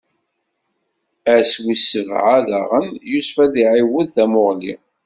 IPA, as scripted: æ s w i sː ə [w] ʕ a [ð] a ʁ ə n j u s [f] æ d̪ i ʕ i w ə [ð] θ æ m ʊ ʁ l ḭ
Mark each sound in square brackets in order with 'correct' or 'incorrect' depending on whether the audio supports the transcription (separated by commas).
incorrect, correct, correct, correct